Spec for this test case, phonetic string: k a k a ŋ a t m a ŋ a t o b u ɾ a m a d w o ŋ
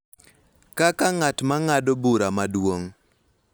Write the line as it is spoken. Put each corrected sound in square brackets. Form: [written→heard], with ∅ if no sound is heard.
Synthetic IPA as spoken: k a k a ŋ a t m a ŋ a [t→d] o b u ɾ a m a d w o ŋ